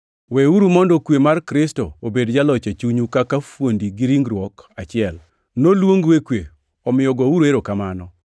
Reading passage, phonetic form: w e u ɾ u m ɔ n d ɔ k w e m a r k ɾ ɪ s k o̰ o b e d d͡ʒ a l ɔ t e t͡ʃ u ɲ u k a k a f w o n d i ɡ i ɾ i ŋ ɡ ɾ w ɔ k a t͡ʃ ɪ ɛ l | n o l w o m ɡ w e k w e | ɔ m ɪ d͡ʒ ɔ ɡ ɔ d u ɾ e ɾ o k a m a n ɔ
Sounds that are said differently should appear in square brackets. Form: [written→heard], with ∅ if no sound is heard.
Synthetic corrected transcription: w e u ɾ u m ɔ n d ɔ k w e m a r k ɾ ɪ s [k→t] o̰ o b e d d͡ʒ a l ɔ [t→t͡ʃ] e t͡ʃ u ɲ u k a k a f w o n d i ɡ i ɾ i ŋ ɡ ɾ w ɔ k a t͡ʃ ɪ ɛ l | n o l w o [m→ŋ] ɡ w e k w e | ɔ m ɪ [d͡ʒ→∅] ɔ ɡ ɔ [d→∅] u ɾ e ɾ o k a m a n ɔ